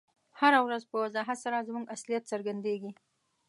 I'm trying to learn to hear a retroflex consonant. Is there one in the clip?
no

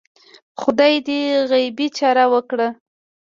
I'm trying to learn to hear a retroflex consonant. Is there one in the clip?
yes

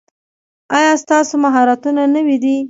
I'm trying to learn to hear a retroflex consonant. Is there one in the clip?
no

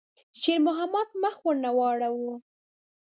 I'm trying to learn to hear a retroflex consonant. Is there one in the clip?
yes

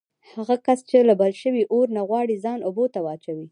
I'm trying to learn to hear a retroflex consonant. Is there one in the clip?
yes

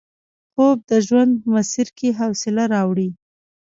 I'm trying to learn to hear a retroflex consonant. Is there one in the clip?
yes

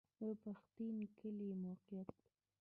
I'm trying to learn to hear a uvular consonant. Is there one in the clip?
yes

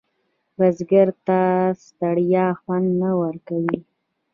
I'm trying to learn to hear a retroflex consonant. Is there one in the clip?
yes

